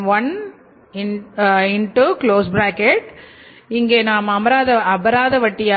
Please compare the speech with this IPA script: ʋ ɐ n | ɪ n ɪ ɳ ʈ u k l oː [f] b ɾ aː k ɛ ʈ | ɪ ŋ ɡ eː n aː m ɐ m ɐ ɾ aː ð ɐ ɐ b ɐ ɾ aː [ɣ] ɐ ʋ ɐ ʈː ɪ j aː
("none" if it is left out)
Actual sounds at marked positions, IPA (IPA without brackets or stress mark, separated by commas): s, ð